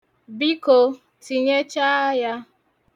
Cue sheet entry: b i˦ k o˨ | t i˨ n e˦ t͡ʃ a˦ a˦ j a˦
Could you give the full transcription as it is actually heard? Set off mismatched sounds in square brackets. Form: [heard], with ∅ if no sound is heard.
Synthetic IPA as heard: b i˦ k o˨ | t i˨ [ɲ] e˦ t͡ʃ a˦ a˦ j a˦